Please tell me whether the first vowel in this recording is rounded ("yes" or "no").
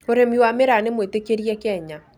yes